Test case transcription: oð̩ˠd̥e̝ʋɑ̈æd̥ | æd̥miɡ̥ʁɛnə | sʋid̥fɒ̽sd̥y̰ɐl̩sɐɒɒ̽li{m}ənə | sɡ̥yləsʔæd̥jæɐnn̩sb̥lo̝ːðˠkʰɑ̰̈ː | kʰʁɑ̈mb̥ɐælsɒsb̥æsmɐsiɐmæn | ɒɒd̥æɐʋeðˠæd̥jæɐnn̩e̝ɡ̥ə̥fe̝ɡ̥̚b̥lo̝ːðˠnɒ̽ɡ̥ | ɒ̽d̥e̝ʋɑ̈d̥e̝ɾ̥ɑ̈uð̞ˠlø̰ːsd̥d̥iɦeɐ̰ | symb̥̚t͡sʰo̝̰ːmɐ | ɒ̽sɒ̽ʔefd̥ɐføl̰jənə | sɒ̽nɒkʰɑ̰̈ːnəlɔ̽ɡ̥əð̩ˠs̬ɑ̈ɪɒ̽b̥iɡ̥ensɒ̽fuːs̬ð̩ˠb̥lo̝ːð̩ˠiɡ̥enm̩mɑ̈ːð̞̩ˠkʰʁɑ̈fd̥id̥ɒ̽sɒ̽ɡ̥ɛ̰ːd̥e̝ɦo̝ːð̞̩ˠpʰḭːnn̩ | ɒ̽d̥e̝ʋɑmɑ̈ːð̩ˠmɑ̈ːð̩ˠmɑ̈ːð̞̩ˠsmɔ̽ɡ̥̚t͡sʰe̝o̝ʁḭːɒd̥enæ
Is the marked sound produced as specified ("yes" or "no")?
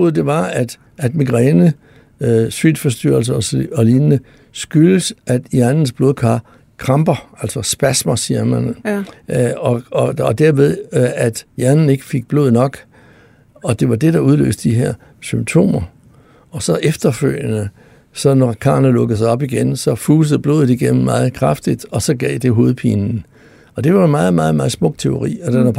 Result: no